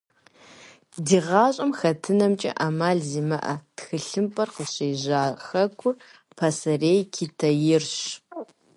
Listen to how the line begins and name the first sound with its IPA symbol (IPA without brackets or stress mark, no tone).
d